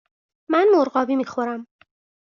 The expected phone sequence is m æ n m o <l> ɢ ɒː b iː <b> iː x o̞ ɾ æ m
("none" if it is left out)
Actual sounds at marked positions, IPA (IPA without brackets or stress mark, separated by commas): ɾ, m